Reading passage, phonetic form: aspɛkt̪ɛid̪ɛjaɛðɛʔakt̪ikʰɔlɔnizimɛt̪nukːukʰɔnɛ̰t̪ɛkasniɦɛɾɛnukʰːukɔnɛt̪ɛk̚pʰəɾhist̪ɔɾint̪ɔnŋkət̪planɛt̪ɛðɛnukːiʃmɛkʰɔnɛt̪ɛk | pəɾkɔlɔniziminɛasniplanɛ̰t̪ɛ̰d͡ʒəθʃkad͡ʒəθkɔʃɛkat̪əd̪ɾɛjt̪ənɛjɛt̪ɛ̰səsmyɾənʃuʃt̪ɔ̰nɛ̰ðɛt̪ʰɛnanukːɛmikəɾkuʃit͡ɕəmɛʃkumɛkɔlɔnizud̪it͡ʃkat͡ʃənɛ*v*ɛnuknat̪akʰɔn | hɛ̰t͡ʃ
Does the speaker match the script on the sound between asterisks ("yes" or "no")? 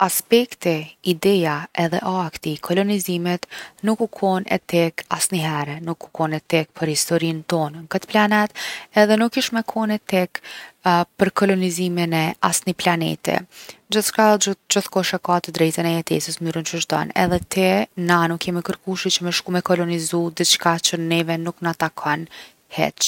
yes